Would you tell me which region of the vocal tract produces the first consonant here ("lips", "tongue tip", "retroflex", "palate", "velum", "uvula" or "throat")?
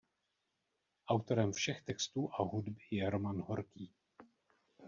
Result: throat